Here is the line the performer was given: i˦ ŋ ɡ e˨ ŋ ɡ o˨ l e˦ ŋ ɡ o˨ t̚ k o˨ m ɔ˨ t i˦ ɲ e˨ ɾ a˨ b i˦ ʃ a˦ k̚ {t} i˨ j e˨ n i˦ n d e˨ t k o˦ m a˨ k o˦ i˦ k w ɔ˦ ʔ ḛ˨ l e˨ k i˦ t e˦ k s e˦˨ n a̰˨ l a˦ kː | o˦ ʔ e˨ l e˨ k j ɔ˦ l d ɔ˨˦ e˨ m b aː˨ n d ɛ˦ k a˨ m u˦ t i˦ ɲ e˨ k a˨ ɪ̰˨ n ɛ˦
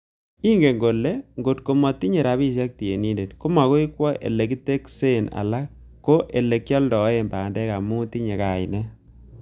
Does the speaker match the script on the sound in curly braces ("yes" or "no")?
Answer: yes